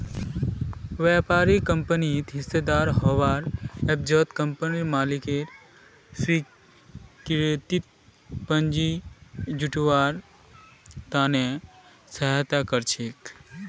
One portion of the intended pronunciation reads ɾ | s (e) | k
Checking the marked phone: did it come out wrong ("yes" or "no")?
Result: yes